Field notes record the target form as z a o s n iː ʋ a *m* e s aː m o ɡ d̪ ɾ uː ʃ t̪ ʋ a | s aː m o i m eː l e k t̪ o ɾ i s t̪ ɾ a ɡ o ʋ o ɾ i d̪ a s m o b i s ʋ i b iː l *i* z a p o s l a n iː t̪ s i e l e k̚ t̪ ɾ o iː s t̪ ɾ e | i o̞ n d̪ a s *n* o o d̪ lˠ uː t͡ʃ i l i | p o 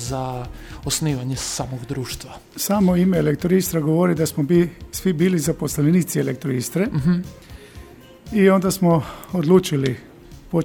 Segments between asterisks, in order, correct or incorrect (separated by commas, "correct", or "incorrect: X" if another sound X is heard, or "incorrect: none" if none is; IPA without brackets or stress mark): incorrect: ɲ, correct, incorrect: m